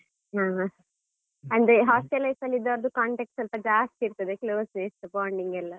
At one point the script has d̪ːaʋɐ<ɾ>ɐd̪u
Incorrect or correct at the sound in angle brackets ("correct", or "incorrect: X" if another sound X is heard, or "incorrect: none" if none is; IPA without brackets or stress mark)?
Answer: correct